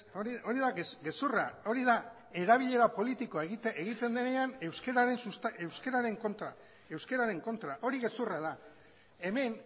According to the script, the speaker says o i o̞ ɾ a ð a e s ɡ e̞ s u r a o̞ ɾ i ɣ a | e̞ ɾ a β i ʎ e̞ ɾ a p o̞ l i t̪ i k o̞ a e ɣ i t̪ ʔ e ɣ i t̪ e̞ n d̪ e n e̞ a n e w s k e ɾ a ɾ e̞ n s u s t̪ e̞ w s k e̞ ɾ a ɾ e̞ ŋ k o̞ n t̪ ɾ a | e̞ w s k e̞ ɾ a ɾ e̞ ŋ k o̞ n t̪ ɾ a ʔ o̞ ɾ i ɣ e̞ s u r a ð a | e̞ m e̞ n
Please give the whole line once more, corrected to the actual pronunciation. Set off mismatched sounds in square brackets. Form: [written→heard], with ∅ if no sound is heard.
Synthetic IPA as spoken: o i o̞ ɾ [a→i] ð a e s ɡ e̞ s u r a o̞ ɾ i [ɣ→ð] a | e̞ ɾ a β i ʎ e̞ ɾ a p o̞ l i t̪ i k o̞ a e ɣ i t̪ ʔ e ɣ i t̪ e̞ n d̪ e n e̞ a n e w s k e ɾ a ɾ e̞ n s u s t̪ e̞ w s k e̞ ɾ a ɾ e̞ ŋ k o̞ n t̪ ɾ a | e̞ w s k e̞ ɾ a ɾ e̞ ŋ k o̞ n t̪ ɾ a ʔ o̞ ɾ i ɣ e̞ s u r a ð a | e̞ m e̞ n

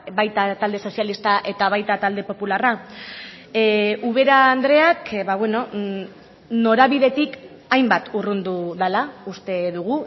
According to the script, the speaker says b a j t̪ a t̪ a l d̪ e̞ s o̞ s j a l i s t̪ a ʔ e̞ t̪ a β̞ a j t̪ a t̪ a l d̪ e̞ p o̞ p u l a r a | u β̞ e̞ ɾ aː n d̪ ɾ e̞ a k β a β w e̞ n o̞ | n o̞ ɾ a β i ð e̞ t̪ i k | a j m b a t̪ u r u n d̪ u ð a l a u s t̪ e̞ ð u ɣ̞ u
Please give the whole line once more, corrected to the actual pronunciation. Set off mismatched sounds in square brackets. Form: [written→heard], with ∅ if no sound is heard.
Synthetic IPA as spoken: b a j t̪ a t̪ a l d̪ e̞ s o̞ s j a l i s t̪ a ʔ e̞ t̪ a β̞ a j t̪ a t̪ a l d̪ e̞ p o̞ p u l a r a | u β̞ e̞ ɾ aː n d̪ ɾ e̞ a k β a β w e̞ n o̞ | n o̞ ɾ a β i ð e̞ t̪ i k | a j m b a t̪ u r u n d̪ u ð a l a u s t̪ e̞ ð u ɣ̞ u

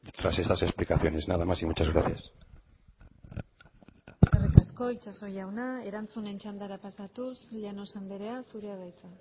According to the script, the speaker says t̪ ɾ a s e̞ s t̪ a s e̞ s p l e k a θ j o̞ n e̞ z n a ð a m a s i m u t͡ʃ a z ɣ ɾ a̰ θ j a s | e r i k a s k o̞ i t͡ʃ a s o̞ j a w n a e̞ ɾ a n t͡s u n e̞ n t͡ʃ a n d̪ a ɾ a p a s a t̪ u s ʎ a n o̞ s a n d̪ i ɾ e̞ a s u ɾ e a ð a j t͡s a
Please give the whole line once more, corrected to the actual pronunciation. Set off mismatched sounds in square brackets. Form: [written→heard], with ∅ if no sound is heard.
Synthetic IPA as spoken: t̪ ɾ a s e̞ s t̪ a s e̞ s p l [e→i] k a θ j o̞ n e̞ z n a ð a m a s i m u t͡ʃ a z ɣ ɾ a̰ θ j a s | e r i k a s k o̞ i t͡ʃ a s o̞ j a w n a e̞ ɾ a n t͡s u n e̞ n t͡ʃ a n d̪ a ɾ a p a s a t̪ u s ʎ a n o̞ s a n d̪ [i→e] ɾ e̞ a s u ɾ e a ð a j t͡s a

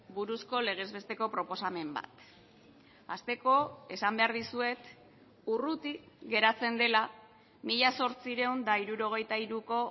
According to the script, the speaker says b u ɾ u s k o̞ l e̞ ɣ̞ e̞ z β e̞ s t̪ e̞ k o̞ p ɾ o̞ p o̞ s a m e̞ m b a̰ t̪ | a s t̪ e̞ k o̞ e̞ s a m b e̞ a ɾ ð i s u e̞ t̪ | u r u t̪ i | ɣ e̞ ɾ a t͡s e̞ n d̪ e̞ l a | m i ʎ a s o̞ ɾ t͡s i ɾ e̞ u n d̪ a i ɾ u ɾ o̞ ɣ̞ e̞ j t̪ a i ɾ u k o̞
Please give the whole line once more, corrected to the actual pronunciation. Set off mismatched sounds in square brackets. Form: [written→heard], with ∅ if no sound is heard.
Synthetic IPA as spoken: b u ɾ u s k o̞ l e̞ ɣ̞ e̞ z β e̞ s t̪ e̞ k o̞ p ɾ o̞ p o̞ s a m e̞ m b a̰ t̪ | a s t̪ e̞ k o̞ e̞ s a m b e̞ a ɾ ð i s u e̞ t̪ | u r u t̪ i | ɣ e̞ ɾ a t͡s e̞ n d̪ e̞ l a | m i ʎ a s o̞ ɾ t͡s i ɾ e̞ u n d̪ a i ɾ u ɾ o̞ ɣ̞ e̞ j t̪ a i ɾ u k o̞

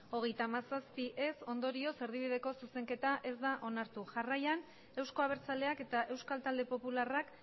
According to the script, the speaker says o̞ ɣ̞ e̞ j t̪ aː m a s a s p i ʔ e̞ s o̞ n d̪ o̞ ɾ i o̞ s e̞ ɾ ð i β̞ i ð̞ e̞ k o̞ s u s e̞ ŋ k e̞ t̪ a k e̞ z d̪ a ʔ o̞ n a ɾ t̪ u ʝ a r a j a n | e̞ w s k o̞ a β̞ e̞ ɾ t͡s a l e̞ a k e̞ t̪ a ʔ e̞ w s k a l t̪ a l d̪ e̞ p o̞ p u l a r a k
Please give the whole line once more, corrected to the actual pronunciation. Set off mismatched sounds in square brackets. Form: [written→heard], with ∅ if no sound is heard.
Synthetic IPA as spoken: o̞ ɣ̞ e̞ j t̪ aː m a s a s p i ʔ e̞ s o̞ n d̪ o̞ ɾ i o̞ s e̞ ɾ ð i β̞ i ð̞ e̞ k o̞ s u s e̞ ŋ k e̞ t̪ a [k→ʔ] e̞ z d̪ a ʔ o̞ n a ɾ t̪ u ʝ a r a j a n | e̞ w s k o̞ a β̞ e̞ ɾ t͡s a l e̞ a k e̞ t̪ a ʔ e̞ w s k a l t̪ a l d̪ e̞ p o̞ p u l a r a k

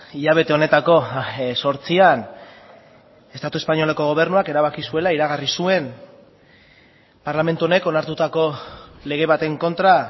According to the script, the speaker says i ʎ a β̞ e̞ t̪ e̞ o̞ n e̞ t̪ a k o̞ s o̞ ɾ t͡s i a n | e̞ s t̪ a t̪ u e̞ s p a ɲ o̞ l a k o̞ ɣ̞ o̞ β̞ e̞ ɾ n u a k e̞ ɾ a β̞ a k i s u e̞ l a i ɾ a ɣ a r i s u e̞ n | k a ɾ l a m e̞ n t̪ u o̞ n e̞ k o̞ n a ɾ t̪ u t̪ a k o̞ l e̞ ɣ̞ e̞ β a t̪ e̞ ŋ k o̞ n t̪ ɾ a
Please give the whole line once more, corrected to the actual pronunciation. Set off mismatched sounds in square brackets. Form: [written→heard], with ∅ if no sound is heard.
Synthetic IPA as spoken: i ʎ a β̞ e̞ t̪ e̞ o̞ n e̞ t̪ a k o̞ s o̞ ɾ t͡s i a n | e̞ s t̪ a t̪ u e̞ s p a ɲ o̞ l a k o̞ ɣ̞ o̞ β̞ e̞ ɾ n u a k e̞ ɾ a β̞ a k i s u e̞ l a i ɾ a ɣ a r i s u e̞ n | [k→p] a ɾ l a m e̞ n t̪ u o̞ n e̞ k o̞ n a ɾ t̪ u t̪ a k o̞ l e̞ ɣ̞ e̞ β a t̪ e̞ ŋ k o̞ n t̪ ɾ a

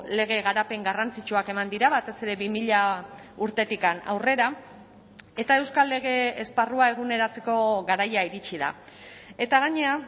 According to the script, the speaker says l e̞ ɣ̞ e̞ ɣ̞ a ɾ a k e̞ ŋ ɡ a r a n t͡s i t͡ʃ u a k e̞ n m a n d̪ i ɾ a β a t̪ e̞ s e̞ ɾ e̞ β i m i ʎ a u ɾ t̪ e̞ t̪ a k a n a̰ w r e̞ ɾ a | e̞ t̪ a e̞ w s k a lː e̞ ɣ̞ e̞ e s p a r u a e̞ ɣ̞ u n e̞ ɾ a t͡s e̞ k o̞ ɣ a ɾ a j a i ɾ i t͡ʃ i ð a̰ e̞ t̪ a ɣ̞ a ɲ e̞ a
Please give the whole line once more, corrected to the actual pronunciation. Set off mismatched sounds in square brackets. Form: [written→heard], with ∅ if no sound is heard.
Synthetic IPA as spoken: l e̞ ɣ̞ e̞ ɣ̞ a ɾ a [k→p] e̞ ŋ ɡ a r a n t͡s i t͡ʃ u a k e̞ [n→∅] m a n d̪ i ɾ a β a t̪ e̞ s e̞ ɾ e̞ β i m i ʎ a u ɾ t̪ e̞ t̪ [a→i] k a n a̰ w r e̞ ɾ a | e̞ t̪ a e̞ w s k a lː e̞ ɣ̞ e̞ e s p a r u a e̞ ɣ̞ u n e̞ ɾ a t͡s e̞ k o̞ ɣ a ɾ a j a i ɾ i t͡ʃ i ð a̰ e̞ t̪ a ɣ̞ a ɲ e̞ a

